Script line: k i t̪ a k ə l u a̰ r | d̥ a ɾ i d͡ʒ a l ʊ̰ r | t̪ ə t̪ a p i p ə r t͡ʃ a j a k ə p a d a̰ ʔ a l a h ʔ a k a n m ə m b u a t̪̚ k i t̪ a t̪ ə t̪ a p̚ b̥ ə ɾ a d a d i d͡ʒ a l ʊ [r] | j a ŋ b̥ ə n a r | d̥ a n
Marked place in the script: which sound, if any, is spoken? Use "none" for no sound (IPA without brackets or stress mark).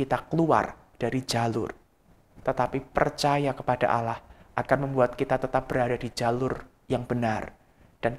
r